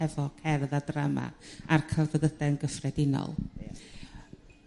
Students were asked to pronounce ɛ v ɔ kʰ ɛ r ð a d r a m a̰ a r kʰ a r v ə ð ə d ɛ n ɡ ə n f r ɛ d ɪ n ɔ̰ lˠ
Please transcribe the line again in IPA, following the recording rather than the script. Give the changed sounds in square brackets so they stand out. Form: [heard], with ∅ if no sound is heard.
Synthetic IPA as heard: ɛ v ɔ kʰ ɛ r ð a d r a m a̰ a r kʰ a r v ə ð ə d ɛ n ɡ ə [∅] f r ɛ d ɪ n ɔ̰ lˠ